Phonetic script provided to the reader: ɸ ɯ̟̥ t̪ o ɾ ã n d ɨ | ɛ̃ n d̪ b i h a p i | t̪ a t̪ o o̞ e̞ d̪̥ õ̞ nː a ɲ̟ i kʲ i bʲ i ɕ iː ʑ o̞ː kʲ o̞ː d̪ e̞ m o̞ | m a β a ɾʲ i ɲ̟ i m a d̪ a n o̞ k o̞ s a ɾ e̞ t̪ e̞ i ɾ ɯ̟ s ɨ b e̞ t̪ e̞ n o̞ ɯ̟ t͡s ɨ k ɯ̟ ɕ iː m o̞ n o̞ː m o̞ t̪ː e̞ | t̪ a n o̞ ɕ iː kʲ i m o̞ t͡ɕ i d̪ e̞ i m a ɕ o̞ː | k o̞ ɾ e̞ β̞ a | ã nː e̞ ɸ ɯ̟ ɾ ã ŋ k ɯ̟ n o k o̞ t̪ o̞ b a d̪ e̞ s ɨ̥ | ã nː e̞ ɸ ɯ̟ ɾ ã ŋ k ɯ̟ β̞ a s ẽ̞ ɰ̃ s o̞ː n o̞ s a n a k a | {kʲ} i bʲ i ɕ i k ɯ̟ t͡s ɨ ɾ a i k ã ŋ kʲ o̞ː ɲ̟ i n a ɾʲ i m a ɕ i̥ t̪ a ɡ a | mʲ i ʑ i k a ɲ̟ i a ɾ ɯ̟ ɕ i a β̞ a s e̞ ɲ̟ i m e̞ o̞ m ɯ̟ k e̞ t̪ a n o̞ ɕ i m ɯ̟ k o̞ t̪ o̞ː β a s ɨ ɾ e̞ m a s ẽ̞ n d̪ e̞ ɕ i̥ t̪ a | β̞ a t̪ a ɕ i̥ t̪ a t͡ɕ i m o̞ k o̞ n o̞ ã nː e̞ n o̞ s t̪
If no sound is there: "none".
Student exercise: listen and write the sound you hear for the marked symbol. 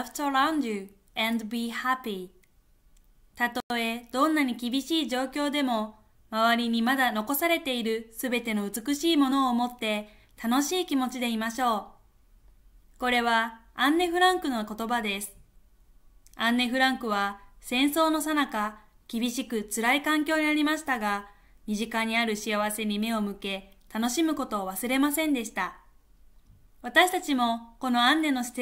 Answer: kʲ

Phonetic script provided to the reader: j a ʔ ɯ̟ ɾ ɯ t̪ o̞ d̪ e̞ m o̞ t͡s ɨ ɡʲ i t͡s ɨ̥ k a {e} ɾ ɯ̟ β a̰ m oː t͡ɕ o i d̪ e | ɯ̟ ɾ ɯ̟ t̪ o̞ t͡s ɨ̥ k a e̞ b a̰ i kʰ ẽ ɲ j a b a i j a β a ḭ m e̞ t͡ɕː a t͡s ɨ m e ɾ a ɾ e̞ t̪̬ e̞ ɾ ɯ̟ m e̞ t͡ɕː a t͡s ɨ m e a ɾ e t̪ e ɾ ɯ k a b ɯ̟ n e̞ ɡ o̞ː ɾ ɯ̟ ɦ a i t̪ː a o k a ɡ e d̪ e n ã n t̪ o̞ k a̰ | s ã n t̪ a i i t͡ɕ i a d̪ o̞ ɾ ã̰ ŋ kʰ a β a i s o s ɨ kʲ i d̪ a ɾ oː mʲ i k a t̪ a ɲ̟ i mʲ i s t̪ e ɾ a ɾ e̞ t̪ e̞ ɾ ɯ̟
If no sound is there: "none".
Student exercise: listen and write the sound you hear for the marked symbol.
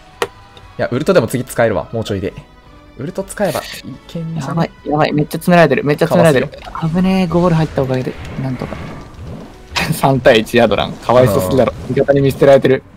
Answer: e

